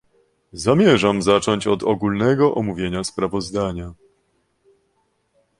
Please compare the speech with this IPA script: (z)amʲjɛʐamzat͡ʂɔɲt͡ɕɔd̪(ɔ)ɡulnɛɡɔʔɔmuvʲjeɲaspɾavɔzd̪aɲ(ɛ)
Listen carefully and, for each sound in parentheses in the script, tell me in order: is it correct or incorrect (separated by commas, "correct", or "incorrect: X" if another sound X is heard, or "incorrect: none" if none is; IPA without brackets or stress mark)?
correct, correct, incorrect: a